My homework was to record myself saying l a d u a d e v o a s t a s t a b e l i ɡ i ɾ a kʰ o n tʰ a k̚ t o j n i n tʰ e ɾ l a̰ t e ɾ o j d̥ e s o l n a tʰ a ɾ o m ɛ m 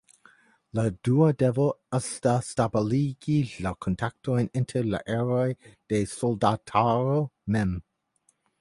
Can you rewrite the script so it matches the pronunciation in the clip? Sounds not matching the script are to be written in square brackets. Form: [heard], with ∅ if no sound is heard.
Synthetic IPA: l a d u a d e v o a s t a s t a b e l i ɡ i [l] a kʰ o n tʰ a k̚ t o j n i n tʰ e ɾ l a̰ [ʔ] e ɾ o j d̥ e s o l [d] a tʰ a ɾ o m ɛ m